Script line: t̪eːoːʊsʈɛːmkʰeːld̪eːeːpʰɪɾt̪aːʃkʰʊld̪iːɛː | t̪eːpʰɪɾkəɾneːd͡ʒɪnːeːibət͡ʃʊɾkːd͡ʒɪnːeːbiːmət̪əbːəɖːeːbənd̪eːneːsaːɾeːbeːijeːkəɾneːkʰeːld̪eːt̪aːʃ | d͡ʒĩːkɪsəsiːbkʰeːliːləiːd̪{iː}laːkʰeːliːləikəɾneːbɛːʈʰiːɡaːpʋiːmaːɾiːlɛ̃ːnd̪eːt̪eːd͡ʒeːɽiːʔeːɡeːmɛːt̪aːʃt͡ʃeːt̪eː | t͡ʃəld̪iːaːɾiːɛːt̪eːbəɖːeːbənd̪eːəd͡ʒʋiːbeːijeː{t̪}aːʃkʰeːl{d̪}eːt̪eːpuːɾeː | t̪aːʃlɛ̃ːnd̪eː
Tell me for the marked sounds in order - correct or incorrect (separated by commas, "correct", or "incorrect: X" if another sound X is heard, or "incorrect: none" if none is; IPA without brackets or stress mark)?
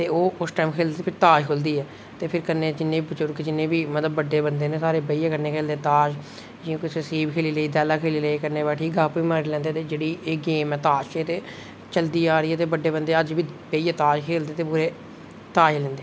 incorrect: ɛː, correct, correct